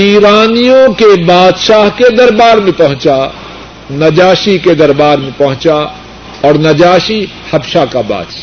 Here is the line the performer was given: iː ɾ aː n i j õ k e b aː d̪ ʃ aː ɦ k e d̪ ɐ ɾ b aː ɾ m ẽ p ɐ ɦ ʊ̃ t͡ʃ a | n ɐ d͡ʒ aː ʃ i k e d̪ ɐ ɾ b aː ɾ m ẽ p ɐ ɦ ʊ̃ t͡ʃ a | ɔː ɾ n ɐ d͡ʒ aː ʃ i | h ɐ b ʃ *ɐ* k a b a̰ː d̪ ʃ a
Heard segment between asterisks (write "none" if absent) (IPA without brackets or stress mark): a